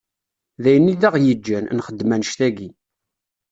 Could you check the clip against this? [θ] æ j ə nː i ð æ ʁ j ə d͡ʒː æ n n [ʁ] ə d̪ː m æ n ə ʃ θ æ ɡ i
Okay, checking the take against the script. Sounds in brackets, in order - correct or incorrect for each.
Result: incorrect: ð, incorrect: χ

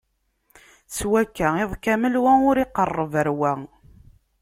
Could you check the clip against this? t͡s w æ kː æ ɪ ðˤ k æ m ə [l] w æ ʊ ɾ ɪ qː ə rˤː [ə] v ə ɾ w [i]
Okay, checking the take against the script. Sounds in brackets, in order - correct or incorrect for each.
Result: correct, correct, incorrect: æ

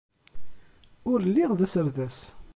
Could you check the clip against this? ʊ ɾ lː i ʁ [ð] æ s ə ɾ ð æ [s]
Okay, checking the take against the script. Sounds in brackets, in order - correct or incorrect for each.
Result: correct, correct

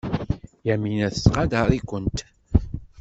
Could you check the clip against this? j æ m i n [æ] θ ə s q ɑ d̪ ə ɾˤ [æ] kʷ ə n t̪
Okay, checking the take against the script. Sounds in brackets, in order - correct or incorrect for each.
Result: correct, incorrect: i

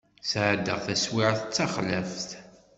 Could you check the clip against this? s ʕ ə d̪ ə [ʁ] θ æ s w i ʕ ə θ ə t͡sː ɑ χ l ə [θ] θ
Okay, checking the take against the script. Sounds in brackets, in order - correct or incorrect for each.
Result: correct, incorrect: f

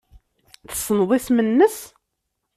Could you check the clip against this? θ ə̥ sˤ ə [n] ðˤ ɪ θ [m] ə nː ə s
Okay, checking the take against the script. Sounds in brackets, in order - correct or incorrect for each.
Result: correct, correct

